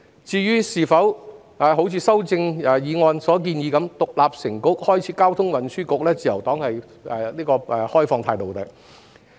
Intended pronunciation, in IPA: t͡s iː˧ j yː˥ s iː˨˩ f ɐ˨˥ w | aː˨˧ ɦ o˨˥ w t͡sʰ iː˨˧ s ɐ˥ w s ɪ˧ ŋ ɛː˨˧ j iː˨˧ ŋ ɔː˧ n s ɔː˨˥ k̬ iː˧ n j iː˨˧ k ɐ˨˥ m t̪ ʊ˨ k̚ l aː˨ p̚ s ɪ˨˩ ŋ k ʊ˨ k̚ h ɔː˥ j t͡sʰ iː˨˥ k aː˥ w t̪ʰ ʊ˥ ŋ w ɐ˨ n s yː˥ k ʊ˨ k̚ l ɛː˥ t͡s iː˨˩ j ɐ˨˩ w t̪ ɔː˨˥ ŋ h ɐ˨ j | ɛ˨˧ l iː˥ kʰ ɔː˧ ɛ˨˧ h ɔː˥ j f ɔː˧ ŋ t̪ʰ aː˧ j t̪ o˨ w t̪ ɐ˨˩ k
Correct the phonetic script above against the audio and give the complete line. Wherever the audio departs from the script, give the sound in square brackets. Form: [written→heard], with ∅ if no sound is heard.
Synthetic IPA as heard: t͡s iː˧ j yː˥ s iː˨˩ f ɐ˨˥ w | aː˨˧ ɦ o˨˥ w t͡sʰ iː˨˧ s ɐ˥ w [s→t͡s] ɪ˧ ŋ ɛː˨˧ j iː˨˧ ŋ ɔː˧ n s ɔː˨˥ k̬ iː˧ n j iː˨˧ k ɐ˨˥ m t̪ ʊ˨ k̚ l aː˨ p̚ s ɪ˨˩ ŋ k [ʊ˨→ʊ˥] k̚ h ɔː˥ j t͡sʰ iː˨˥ k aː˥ w t̪ʰ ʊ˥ ŋ w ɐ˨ n s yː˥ k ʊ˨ k̚ l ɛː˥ t͡s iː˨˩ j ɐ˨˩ w t̪ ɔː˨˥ ŋ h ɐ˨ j | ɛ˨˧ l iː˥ [kʰ→k] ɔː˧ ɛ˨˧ h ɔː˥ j f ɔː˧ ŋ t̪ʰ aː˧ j t̪ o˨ w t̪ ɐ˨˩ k